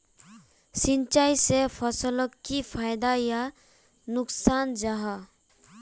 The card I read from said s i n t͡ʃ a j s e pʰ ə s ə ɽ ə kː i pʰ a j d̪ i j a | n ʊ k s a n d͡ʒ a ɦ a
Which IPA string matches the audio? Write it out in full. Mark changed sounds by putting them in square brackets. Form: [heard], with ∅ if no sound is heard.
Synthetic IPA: s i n t͡ʃ a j s e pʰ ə s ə [l] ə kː i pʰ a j d̪ [a] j a | n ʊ k s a n d͡ʒ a ɦ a